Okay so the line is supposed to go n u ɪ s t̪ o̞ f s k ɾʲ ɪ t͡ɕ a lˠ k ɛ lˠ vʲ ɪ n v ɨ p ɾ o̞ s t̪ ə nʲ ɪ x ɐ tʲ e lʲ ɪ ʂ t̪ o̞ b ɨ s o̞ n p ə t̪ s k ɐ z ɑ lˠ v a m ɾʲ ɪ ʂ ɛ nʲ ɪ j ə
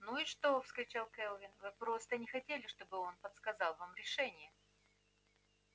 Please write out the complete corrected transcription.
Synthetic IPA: n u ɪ ʂ t̪ o̞ f s k ɾʲ ɪ t͡ɕ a lˠ k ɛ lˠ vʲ ɪ n v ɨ p ɾ o̞ s t̪ ə nʲ ɪ x ɐ tʲ e lʲ ɪ ʂ t̪ o̞ b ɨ o̞ n p ə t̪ s k ɐ z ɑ lˠ v a m ɾʲ ɪ ʂ ɛ nʲ ɪ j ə